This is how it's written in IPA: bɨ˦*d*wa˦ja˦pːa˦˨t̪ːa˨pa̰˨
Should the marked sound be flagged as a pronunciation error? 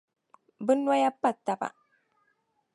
yes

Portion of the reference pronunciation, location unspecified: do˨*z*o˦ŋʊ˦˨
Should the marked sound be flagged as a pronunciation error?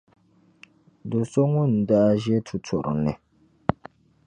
yes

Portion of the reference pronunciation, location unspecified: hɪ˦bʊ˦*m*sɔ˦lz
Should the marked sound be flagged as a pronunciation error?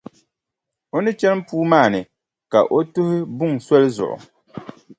yes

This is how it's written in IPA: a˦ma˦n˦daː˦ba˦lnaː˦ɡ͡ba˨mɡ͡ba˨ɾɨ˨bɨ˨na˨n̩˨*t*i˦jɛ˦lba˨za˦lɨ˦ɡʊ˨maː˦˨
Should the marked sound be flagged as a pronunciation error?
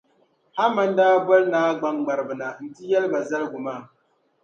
no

